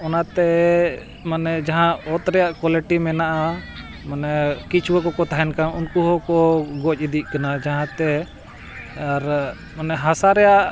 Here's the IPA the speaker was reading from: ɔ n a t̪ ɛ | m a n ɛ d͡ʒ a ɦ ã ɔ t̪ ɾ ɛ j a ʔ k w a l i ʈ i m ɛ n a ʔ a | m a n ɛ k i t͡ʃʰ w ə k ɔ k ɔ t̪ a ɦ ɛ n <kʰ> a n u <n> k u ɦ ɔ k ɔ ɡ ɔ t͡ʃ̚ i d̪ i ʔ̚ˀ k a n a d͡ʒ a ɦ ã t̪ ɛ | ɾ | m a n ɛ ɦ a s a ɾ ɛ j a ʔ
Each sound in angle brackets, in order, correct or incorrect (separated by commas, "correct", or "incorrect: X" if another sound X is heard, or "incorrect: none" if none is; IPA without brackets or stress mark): incorrect: k, correct